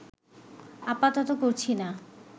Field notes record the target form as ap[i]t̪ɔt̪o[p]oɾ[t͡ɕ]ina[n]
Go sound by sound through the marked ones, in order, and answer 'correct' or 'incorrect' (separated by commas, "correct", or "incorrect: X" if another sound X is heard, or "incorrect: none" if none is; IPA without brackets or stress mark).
incorrect: a, incorrect: k, incorrect: t͡ɕʰ, incorrect: none